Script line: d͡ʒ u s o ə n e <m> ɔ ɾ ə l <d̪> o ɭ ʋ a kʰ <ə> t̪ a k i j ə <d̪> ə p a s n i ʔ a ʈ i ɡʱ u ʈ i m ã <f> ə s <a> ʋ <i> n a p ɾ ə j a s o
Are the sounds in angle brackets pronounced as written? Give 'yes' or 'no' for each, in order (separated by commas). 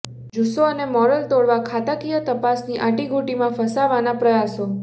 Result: yes, no, no, no, yes, yes, no